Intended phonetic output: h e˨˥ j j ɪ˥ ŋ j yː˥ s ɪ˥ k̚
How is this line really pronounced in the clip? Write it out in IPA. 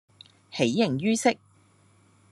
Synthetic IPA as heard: h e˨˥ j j ɪ˨ ŋ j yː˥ s ɪ˥ k̚